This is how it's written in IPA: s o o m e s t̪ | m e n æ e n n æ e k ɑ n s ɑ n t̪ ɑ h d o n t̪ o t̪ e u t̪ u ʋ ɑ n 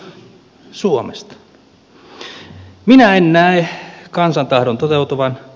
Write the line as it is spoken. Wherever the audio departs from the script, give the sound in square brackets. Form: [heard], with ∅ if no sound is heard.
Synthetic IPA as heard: s [u] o m e s t̪ | m [i] n æ e n n æ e k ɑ n s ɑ n t̪ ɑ h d o n t̪ o t̪ e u t̪ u ʋ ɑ n